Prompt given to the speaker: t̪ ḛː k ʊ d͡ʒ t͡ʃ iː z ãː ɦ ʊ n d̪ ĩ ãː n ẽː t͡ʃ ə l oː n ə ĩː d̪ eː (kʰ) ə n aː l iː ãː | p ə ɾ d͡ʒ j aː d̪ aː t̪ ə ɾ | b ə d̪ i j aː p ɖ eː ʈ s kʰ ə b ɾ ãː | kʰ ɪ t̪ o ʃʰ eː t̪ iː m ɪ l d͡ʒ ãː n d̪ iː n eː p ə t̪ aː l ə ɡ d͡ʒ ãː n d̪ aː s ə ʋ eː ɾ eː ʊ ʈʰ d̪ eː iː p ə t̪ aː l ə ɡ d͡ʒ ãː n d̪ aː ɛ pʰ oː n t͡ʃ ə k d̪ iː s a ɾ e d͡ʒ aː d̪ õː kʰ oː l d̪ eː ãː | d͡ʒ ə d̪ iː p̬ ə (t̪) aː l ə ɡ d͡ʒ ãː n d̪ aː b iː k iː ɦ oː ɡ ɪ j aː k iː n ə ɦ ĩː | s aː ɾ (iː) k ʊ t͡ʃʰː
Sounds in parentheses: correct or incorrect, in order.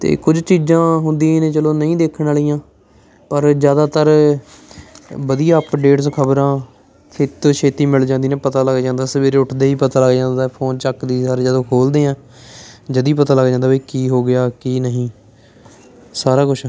correct, correct, incorrect

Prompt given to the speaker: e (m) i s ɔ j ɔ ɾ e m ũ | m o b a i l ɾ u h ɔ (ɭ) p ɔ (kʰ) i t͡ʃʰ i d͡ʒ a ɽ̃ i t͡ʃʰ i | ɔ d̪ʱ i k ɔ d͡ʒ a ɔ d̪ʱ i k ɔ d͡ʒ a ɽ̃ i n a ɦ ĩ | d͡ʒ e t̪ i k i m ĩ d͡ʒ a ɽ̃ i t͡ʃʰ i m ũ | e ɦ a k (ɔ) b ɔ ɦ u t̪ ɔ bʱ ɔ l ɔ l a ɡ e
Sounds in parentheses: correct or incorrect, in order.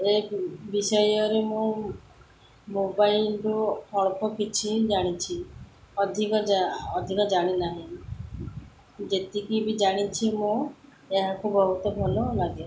incorrect, correct, incorrect, incorrect

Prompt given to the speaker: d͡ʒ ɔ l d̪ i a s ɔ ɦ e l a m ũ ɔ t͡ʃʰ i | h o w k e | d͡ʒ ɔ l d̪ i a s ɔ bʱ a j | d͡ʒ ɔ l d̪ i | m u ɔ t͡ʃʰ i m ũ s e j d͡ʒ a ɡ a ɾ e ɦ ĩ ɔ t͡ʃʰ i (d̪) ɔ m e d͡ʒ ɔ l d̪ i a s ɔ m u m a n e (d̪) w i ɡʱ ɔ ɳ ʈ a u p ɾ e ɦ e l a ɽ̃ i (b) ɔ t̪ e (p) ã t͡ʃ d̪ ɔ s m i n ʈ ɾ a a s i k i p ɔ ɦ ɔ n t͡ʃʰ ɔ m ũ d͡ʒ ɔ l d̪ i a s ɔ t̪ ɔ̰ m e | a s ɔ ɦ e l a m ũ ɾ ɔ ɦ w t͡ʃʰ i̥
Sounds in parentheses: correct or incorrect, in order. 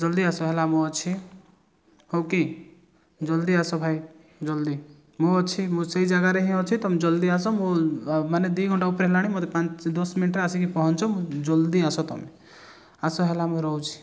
incorrect, correct, incorrect, correct

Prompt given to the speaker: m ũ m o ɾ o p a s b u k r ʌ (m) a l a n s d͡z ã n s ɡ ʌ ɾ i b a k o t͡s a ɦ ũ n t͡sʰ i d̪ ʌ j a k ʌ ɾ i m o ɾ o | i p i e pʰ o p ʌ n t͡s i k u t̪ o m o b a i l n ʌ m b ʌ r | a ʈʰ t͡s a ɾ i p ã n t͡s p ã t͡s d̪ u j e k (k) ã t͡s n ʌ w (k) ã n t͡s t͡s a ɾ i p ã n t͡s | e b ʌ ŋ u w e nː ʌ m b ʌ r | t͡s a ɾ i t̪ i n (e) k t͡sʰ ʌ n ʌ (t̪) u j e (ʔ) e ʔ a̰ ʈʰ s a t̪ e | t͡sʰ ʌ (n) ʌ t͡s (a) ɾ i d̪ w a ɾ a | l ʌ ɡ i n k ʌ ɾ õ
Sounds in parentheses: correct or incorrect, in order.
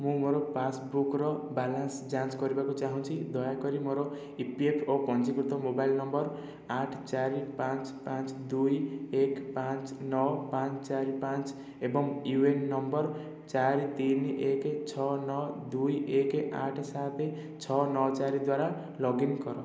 incorrect, incorrect, incorrect, correct, incorrect, incorrect, correct, correct

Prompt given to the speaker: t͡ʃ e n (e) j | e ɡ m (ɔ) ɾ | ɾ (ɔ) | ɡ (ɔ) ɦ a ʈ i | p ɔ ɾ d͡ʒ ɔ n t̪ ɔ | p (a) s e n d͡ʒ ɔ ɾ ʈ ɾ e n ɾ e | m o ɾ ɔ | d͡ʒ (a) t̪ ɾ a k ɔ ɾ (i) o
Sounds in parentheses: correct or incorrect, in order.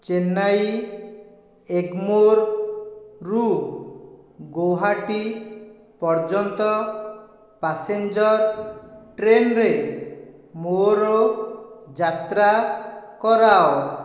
incorrect, incorrect, incorrect, incorrect, correct, correct, incorrect

